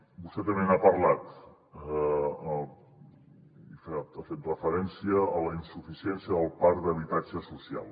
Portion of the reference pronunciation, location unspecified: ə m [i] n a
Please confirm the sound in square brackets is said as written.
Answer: no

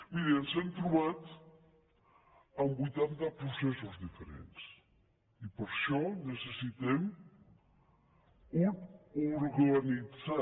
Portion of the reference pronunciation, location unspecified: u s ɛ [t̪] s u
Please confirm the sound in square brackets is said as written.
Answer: no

